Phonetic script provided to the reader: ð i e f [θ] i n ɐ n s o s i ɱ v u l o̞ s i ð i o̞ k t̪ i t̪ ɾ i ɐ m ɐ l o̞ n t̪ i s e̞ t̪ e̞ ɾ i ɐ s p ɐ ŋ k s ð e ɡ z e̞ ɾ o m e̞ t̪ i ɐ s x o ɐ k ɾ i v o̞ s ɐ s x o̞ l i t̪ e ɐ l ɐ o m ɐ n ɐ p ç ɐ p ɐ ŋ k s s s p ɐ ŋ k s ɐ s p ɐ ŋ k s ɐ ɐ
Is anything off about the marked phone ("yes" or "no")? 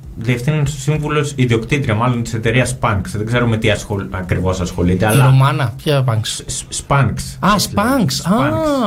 no